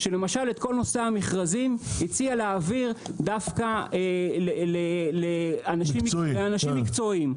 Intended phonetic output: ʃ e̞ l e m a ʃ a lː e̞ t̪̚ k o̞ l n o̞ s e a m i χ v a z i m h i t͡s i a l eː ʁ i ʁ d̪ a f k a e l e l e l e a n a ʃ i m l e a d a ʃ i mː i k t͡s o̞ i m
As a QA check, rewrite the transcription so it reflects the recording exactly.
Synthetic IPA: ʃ e̞ l e m a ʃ a l e̞ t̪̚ k o̞ l n o̞ s e a m i χ ʁ a z i m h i t͡s i a l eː v i ʁ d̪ a f k a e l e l e l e a n a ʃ i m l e a n a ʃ i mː i k t͡s o̞ i m